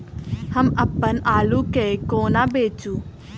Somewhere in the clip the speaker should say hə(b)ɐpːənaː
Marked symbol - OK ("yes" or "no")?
no